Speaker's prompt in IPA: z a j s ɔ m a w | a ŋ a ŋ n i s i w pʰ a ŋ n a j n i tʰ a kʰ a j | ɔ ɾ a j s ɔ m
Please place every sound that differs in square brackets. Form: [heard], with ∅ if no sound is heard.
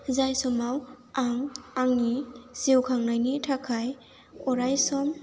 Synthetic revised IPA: z a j s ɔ m a w | a ŋ a ŋ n i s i w [kʰ] a ŋ n a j n i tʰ a kʰ a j | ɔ ɾ a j s ɔ m